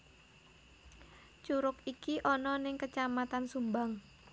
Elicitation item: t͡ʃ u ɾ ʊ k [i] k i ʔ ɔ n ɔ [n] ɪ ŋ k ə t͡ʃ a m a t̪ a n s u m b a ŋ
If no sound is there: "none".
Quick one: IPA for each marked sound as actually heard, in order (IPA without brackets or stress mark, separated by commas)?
i, n